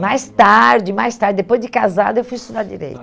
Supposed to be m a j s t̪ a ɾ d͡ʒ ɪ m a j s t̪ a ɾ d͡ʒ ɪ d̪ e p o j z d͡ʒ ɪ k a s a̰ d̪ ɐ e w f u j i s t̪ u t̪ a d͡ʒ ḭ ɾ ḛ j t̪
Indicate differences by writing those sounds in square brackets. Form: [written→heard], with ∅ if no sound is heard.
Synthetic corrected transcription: m a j s t̪ a ɾ d͡ʒ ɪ m a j s t̪ a ɾ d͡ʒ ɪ d̪ e p o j z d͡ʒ ɪ k a [s→z] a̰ d̪ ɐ e w f u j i s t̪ u [t̪→d̪] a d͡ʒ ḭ ɾ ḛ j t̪

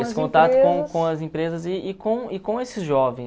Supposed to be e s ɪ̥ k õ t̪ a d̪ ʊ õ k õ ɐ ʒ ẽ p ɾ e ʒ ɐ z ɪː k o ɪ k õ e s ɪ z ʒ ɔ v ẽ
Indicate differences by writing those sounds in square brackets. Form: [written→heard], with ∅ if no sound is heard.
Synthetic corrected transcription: e s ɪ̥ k õ t̪ a [d̪→t̪] ʊ õ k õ ɐ [ʒ→z] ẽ p ɾ e [ʒ→z] ɐ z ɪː k [o→õ] ɪ k õ e s ɪ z ʒ ɔ v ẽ

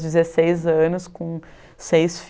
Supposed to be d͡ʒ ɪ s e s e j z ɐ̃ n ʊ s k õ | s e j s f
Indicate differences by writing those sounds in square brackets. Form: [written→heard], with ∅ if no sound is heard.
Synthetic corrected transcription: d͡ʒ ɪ [s→z] e s e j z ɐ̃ n ʊ s k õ | s e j s f

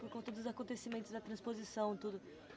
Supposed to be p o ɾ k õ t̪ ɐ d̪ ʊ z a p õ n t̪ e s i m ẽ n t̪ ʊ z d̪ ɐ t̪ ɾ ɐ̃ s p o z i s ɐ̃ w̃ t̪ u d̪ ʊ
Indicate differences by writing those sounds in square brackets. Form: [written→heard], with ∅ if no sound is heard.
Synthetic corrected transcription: p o ɾ k õ t̪ ɐ d̪ ʊ z a [p→k] õ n t̪ e s i m ẽ n t̪ ʊ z d̪ ɐ t̪ ɾ ɐ̃ s p o z i s ɐ̃ w̃ t̪ u d̪ ʊ

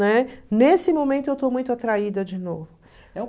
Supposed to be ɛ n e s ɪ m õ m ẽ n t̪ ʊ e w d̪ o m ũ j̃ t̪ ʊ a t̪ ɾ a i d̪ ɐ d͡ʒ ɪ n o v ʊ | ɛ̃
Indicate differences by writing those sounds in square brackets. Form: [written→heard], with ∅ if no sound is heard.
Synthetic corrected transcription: ɛ n e s ɪ m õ m ẽ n t̪ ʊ e w [d̪→t̪] o m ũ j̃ t̪ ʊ a t̪ ɾ a i d̪ ɐ d͡ʒ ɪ n o v ʊ | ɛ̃

